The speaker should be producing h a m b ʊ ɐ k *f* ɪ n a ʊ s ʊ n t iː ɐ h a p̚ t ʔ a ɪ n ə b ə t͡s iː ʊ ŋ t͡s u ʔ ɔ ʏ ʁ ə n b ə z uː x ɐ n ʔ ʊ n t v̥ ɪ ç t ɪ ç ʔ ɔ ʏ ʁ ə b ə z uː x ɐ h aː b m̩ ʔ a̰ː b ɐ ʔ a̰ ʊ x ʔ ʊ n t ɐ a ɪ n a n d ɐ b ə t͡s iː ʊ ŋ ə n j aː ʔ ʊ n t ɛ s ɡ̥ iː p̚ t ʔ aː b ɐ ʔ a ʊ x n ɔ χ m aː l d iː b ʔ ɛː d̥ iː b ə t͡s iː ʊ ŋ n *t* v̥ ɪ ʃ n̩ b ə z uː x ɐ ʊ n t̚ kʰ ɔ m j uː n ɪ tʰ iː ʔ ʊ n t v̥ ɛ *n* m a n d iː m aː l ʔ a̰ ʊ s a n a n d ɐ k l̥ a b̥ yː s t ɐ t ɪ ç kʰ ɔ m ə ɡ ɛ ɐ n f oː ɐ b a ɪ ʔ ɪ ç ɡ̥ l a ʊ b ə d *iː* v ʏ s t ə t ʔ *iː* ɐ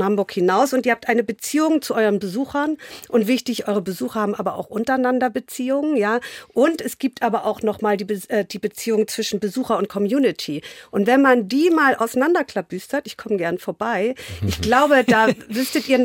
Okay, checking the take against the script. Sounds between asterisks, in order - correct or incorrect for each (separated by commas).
incorrect, incorrect, correct, incorrect, correct